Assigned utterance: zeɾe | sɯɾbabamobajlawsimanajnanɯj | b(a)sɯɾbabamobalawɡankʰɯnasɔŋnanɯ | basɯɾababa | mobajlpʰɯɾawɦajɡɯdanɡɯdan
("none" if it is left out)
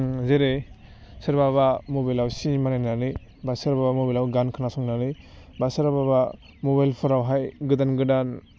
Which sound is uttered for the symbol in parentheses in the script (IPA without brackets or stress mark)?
a